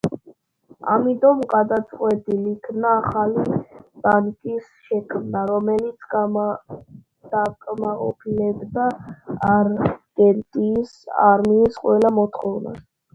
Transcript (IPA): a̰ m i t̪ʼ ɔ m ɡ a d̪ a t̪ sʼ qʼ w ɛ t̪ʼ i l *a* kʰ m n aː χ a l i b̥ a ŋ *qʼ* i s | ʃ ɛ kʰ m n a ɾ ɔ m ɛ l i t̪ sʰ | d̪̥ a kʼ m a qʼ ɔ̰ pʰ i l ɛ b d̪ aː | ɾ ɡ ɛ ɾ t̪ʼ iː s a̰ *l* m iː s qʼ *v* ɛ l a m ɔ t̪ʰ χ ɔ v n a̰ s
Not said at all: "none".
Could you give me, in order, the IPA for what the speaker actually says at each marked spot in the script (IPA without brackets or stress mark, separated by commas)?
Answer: i, kʼ, ɾ, w